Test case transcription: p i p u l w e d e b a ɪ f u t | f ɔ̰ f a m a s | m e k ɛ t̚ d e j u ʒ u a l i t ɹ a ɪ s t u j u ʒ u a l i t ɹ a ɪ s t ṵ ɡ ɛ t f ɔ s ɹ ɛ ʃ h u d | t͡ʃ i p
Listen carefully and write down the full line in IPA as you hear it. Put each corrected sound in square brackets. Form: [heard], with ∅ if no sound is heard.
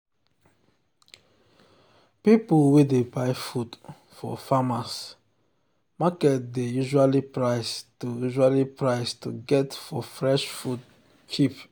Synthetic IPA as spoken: p i p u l w e d e b a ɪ f u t | f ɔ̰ f a m a s | m [a] k ɛ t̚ d e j u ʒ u a l i [p] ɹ a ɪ s t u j u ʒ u a l i [p] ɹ a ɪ s t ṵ ɡ ɛ t f ɔ [f] ɹ ɛ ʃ [f] u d | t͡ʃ i p